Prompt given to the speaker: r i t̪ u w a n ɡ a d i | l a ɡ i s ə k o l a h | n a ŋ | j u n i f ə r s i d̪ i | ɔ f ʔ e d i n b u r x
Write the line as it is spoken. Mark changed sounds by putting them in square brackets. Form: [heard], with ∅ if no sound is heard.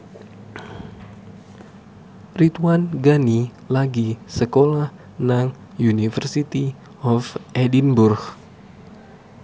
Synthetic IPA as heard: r i t̪ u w a n ɡ a [n] i | l a ɡ i s ə k o l a h | n a ŋ | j u n i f ə r s i [t̪] i | ɔ f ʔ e d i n b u r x